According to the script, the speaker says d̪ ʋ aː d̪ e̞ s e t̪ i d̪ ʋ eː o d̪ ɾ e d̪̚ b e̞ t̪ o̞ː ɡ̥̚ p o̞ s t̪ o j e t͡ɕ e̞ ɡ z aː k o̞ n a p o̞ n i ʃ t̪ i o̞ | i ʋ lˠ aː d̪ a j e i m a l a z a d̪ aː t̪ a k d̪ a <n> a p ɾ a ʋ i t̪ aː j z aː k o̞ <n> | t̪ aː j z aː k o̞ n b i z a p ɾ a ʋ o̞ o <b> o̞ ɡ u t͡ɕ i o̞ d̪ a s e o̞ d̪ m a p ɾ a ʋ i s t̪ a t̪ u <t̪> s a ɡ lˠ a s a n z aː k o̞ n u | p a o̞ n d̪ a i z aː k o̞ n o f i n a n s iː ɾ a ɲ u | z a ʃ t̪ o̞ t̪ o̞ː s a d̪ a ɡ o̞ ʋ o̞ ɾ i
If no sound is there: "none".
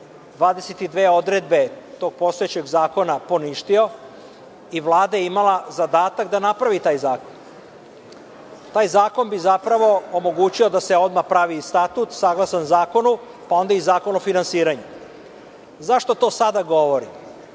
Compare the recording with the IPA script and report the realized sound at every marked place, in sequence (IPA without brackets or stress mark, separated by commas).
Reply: n, n, m, t̪